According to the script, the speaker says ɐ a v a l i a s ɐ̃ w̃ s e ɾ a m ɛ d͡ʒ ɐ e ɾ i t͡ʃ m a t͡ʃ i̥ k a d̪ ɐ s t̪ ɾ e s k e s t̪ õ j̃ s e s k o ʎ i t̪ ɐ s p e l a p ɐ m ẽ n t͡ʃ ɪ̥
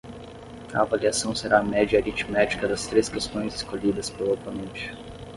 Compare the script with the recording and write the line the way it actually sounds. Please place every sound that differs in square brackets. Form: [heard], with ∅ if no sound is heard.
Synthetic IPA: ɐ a v a l i a s ɐ̃ w̃ s e ɾ a m ɛ d͡ʒ ɐ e ɾ i t͡ʃ m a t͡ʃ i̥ k [ɐ] d̪ ɐ s t̪ ɾ e s k e s t̪ õ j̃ [z] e s k o ʎ i [d̪] ɐ s p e l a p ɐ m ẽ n t͡ʃ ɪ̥